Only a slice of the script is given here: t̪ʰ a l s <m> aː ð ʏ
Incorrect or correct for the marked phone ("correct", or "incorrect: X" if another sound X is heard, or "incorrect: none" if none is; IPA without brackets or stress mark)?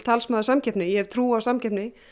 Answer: correct